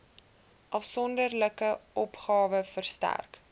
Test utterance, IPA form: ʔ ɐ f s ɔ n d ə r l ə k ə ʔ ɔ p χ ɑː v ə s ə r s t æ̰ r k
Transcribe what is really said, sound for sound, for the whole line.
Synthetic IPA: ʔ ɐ f s ɔ n d ə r l ə k ə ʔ ɔ p χ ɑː v ə f ə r s t æ̰ r k